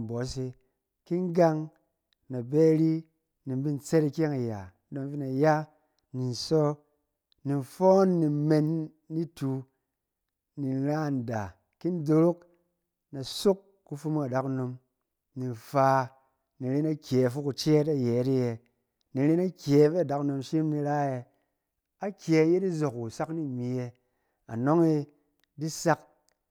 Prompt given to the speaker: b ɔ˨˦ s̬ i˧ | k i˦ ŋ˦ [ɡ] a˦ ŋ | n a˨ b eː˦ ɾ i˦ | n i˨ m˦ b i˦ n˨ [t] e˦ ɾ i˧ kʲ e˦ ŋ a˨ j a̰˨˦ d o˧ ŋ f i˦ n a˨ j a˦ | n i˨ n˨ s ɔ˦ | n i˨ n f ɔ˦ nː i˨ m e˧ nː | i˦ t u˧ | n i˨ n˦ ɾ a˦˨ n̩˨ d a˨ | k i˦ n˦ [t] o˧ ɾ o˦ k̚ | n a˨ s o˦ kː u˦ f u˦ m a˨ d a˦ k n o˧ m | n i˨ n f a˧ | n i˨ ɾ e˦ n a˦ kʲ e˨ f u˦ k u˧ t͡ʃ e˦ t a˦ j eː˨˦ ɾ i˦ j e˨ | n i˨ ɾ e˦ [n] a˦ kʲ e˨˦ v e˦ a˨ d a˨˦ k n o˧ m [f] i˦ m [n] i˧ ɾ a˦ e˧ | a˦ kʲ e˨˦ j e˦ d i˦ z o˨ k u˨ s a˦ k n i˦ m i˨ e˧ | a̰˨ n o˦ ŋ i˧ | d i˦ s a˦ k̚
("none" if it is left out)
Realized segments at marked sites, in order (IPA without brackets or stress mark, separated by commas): ɡ, t͡s, d, n, ʃ, n